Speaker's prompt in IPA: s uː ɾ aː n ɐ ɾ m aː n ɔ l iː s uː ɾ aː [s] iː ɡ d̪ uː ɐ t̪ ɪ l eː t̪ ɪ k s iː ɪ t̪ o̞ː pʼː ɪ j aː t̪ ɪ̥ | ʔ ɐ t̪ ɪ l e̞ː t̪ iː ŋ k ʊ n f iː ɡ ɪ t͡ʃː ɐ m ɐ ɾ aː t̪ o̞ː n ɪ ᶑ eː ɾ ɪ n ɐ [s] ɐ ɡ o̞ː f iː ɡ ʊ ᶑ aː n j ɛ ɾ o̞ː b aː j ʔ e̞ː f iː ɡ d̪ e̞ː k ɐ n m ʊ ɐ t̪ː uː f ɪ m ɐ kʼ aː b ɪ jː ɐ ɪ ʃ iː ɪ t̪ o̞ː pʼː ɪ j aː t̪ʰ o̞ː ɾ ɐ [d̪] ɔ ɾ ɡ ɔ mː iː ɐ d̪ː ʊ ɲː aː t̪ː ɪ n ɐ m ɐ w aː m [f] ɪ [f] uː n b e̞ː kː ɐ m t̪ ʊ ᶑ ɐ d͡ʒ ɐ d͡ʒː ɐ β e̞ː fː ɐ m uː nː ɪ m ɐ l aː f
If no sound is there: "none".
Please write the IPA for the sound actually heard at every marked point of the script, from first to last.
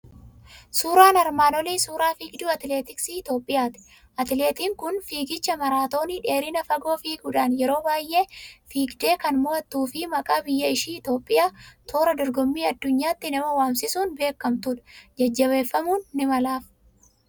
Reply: f, f, d̪, s, s

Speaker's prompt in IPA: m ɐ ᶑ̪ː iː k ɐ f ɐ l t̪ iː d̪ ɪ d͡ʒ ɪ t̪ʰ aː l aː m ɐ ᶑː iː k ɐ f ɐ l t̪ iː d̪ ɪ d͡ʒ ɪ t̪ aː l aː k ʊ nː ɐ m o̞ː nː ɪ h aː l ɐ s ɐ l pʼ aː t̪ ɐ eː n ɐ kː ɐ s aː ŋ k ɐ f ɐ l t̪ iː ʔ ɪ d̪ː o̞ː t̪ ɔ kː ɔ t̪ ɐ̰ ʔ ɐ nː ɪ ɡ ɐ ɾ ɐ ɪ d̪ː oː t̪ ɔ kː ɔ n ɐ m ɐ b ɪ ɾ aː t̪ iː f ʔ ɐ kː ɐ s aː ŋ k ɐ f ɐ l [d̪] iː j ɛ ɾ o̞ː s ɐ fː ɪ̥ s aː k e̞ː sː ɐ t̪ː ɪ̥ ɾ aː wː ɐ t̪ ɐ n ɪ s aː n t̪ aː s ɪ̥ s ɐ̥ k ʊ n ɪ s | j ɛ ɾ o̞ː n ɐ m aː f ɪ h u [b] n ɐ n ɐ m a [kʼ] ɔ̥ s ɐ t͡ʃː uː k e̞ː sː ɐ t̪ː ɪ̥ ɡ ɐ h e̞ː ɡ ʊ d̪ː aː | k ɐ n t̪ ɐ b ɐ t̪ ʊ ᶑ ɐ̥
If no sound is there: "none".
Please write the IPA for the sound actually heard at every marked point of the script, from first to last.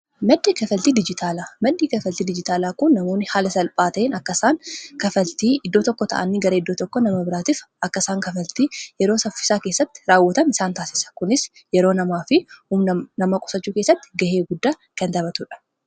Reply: t̪, m, kʼ

